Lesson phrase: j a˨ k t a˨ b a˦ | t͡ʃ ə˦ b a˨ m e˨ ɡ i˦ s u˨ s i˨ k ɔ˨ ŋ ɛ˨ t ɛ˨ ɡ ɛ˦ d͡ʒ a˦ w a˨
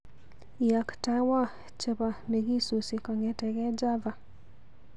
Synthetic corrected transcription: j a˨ k t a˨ w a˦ | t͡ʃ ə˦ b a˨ m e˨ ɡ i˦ s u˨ s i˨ k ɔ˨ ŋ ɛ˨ t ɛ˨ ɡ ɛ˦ d͡ʒ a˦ v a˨